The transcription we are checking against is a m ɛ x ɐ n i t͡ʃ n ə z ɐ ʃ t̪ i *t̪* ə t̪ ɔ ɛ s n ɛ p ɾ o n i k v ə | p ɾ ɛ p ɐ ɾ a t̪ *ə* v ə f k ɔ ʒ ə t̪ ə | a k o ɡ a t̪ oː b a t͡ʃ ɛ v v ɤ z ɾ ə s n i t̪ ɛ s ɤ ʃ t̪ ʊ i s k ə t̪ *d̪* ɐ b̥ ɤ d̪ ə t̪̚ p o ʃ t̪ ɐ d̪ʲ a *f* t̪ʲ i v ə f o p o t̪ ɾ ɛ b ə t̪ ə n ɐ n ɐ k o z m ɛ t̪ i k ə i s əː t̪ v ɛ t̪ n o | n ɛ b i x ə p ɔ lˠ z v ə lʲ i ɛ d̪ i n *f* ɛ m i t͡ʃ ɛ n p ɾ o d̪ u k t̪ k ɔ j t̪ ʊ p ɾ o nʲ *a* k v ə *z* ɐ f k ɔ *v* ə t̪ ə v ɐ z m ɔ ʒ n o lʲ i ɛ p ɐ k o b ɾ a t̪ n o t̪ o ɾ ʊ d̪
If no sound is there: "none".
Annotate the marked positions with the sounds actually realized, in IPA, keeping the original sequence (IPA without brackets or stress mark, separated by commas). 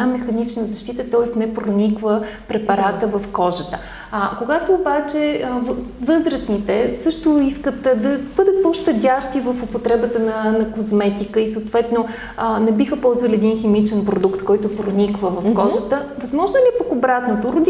t̪, ə, d̪, ʃ, x, i, v, ʒ